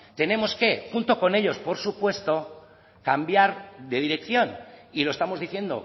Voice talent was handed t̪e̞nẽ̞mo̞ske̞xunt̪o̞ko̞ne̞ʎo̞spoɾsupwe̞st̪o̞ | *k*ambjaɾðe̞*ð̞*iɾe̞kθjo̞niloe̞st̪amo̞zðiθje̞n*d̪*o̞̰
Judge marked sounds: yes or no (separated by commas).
yes, yes, yes